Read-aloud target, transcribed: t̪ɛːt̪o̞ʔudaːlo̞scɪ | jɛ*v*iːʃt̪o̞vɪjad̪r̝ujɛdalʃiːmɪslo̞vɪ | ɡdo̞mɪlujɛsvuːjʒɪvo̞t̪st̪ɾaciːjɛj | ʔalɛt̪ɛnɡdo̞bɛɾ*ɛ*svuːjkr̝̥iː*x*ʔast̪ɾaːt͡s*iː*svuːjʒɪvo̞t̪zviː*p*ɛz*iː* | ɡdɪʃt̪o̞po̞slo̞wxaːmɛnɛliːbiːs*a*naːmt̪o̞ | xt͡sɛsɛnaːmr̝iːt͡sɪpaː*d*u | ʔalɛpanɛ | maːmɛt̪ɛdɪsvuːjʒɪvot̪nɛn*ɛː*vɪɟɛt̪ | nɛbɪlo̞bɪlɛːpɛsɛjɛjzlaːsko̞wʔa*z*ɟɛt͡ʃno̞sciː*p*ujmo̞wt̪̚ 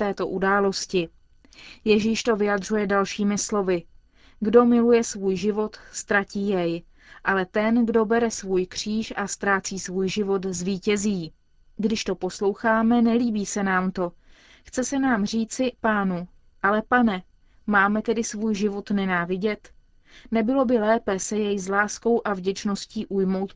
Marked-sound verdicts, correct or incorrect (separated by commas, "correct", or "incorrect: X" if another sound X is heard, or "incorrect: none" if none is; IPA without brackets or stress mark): incorrect: ʒ, correct, incorrect: ʃ, correct, incorrect: c, correct, incorrect: ɛ, incorrect: n, incorrect: aː, incorrect: v, incorrect: ʔ